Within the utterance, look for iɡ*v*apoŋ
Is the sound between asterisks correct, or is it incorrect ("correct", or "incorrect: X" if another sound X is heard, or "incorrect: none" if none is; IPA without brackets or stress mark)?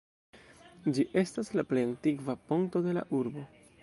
correct